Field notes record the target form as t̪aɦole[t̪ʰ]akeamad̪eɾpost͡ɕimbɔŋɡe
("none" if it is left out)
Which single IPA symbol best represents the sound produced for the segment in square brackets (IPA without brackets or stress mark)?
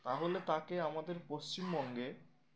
t̪